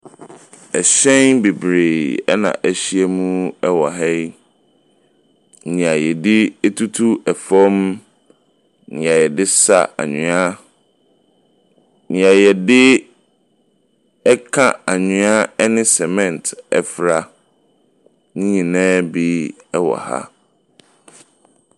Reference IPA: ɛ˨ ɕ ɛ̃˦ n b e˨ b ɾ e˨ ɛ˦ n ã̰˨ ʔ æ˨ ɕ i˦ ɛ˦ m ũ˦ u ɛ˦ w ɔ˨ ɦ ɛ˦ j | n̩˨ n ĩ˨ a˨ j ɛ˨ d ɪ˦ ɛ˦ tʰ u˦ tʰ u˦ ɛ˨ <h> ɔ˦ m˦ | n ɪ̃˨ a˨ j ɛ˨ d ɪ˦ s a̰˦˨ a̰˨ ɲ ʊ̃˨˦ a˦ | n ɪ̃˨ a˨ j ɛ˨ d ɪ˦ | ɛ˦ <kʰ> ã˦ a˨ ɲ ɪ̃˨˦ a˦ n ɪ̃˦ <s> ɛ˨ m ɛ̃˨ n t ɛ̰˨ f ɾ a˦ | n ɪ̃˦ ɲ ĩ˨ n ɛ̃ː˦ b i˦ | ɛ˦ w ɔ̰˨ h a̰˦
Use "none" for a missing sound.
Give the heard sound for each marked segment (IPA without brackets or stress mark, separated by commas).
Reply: f, kʰ, s